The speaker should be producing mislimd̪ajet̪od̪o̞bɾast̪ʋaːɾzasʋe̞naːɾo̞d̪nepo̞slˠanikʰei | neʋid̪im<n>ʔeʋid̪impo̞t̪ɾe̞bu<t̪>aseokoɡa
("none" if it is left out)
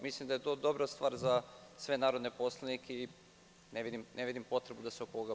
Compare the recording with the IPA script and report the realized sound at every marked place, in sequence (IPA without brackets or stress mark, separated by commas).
n, d̪